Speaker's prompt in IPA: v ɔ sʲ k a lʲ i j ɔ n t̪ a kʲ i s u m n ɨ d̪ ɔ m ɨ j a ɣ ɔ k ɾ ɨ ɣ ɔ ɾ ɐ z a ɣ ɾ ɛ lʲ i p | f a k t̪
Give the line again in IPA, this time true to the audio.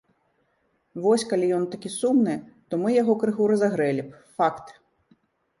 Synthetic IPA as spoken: v ɔ sʲ k a lʲ i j ɔ n t̪ a kʲ i s u m n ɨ t̪ ɔ m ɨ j a ɣ ɔ k ɾ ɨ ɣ u ɾ ɐ z a ɣ ɾ ɛ lʲ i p | f a k t̪